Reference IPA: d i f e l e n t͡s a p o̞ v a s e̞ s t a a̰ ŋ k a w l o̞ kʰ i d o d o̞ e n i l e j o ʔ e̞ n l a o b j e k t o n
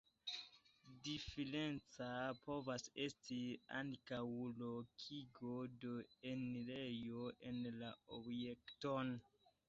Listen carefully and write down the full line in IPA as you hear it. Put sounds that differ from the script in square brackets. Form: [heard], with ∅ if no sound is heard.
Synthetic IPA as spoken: d i f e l e n t͡s a p o̞ v a s e̞ s t [i] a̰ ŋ k a w l o̞ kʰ i [ɡ] o d o̞ e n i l e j o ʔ e̞ n l a o b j e k t o n